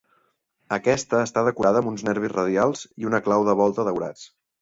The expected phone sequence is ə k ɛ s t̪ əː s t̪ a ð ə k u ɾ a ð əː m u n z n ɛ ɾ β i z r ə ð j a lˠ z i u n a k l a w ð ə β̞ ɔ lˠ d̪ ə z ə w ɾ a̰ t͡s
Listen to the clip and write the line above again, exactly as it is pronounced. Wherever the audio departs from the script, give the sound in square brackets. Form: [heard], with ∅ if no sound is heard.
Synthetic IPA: ə k ɛ s t̪ əː s t̪ a ð ə k u ɾ a ð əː m u n z n ɛ ɾ β i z r ə ð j a lˠ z i u n [ə] k l a w ð ə β̞ ɔ lˠ [t̪] ə [ð] ə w ɾ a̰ t͡s